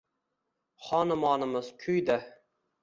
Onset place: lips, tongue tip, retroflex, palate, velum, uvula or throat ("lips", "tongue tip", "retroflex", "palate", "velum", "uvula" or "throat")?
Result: uvula